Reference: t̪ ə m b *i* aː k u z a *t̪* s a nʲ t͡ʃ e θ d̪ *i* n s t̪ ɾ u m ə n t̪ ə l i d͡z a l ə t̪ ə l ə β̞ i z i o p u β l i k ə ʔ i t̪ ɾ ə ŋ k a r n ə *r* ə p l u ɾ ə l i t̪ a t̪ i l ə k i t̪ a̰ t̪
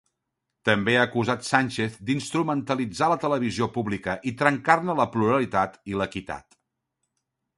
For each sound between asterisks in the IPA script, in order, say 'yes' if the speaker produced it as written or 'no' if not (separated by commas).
no, yes, yes, no